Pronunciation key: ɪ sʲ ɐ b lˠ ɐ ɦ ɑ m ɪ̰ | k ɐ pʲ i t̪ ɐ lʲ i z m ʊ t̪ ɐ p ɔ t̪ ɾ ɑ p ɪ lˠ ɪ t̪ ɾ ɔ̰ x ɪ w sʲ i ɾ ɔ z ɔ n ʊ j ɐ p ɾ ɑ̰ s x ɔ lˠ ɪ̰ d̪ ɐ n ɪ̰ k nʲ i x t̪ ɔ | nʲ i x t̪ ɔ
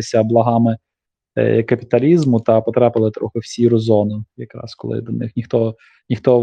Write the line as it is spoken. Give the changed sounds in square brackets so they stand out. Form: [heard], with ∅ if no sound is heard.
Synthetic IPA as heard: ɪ sʲ ɐ b lˠ ɐ ɦ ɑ m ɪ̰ | k ɐ pʲ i t̪ ɐ lʲ i z m ʊ t̪ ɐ p ɔ t̪ ɾ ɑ p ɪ lˠ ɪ t̪ ɾ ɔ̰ x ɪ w sʲ i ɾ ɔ z ɔ n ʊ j ɐ [k] ɾ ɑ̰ s [k] ɔ lˠ ɪ̰ d̪ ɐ n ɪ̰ [x] nʲ i x t̪ ɔ | nʲ i x t̪ ɔ